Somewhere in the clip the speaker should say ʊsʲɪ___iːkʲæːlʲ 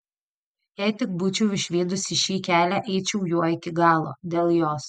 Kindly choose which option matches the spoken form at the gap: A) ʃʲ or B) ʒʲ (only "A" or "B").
A